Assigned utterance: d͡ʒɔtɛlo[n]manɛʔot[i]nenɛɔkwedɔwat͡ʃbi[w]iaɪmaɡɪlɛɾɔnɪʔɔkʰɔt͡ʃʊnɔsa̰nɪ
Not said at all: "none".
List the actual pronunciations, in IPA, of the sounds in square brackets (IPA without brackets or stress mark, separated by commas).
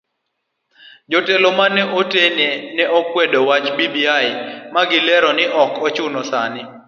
none, e, b